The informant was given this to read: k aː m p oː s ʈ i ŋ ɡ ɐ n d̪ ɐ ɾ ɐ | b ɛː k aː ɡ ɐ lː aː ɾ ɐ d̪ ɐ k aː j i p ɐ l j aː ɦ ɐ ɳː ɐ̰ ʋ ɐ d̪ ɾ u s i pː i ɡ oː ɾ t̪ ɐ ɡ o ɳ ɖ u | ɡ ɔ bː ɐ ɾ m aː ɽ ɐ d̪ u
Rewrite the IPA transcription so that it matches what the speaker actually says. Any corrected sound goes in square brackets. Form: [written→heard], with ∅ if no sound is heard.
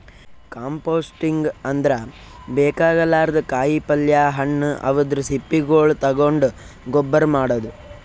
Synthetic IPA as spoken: k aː m p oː s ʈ i ŋ ɡ ɐ n d̪ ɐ ɾ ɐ | b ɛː k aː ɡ ɐ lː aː ɾ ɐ d̪ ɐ k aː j i p ɐ l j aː ɦ ɐ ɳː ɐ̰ ʋ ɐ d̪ ɾ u s i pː i ɡ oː [ɾ→ɭ] t̪ ɐ ɡ o ɳ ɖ u | ɡ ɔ bː ɐ ɾ m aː ɽ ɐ d̪ u